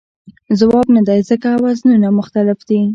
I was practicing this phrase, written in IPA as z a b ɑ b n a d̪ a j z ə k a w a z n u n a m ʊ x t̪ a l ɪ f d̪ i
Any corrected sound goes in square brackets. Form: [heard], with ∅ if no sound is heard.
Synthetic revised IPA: z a [w] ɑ b n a d̪ a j z ə k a w a z n u n a m ʊ x t̪ a l ɪ f d̪ i